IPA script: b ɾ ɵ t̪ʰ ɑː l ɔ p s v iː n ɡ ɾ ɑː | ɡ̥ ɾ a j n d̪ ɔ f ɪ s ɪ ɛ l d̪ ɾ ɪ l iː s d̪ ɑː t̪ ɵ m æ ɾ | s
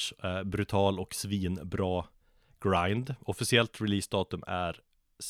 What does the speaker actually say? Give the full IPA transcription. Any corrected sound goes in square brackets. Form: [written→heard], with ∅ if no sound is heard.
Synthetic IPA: b ɾ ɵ t̪ʰ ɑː l ɔ [p→k] s v iː n [ɡ→b] ɾ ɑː | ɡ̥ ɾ a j n d̪ ɔ f ɪ s ɪ ɛ l [d̪→t̪] ɾ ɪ l iː s d̪ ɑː t̪ ɵ m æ ɾ | s